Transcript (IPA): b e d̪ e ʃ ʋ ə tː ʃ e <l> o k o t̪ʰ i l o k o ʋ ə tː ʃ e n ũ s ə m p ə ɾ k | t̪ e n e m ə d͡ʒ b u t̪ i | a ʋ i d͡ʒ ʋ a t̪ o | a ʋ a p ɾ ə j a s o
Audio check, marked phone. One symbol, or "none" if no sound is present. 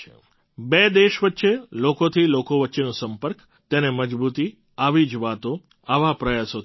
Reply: l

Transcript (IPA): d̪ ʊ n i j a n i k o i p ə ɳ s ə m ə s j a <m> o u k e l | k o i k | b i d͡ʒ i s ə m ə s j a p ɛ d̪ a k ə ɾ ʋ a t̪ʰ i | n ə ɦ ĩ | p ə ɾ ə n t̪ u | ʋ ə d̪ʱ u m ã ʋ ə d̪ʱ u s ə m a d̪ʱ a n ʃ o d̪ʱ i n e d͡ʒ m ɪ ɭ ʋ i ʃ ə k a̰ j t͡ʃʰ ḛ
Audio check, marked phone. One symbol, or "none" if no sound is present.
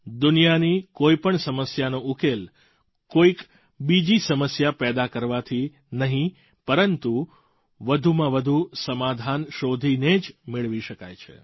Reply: n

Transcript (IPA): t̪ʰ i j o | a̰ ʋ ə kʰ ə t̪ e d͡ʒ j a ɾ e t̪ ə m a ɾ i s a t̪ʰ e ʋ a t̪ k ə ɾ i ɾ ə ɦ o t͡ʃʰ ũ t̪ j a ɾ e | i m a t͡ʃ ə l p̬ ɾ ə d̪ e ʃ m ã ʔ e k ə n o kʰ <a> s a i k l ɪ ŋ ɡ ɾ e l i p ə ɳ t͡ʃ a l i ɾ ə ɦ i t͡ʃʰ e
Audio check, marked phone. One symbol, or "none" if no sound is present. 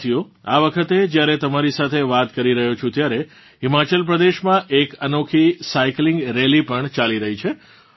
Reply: i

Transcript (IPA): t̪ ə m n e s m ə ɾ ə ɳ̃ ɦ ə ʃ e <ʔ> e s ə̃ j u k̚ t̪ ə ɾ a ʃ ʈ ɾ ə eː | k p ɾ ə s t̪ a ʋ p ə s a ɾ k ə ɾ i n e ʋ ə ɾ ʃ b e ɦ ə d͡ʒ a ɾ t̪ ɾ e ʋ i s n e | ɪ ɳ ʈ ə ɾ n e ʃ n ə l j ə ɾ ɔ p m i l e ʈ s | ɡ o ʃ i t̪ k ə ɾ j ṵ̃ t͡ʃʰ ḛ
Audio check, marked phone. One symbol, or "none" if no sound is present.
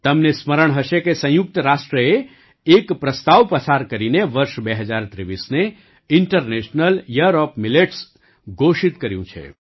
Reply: k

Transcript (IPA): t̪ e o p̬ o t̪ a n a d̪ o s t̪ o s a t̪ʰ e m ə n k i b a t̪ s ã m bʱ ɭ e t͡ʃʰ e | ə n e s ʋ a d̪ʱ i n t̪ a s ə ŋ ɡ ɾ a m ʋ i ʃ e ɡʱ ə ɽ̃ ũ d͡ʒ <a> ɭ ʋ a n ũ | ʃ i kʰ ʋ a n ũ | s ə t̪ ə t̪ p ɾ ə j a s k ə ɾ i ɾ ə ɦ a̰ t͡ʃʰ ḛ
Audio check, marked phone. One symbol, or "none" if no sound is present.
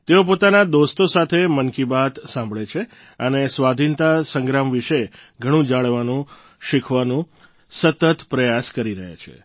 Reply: a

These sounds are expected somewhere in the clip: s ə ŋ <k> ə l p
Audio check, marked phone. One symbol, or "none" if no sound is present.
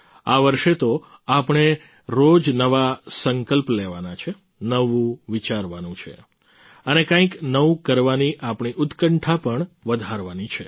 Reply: k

